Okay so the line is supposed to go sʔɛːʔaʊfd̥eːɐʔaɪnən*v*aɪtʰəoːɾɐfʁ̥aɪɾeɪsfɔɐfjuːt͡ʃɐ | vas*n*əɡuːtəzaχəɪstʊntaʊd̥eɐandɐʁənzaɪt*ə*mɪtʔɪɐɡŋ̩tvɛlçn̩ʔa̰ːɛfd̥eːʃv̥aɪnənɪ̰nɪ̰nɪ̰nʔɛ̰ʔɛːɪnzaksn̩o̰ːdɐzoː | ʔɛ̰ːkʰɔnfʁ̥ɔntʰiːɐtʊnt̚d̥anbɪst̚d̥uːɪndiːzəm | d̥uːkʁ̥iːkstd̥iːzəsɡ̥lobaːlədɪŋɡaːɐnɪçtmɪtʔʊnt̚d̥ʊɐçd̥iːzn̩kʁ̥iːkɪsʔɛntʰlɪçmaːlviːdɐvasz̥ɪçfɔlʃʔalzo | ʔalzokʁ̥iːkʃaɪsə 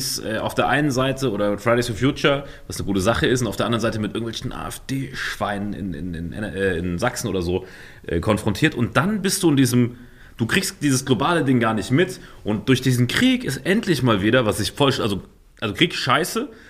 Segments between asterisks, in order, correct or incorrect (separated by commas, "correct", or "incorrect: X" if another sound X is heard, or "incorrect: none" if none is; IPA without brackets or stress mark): incorrect: z, correct, correct